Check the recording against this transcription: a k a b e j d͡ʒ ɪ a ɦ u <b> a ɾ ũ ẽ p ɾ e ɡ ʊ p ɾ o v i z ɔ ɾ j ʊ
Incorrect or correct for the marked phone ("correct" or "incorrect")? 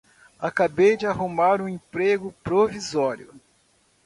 incorrect